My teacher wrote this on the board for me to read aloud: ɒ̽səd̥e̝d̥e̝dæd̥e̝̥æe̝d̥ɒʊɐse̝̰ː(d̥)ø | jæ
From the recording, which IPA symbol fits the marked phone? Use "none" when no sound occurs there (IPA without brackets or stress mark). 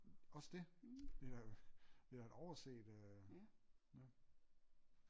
d̥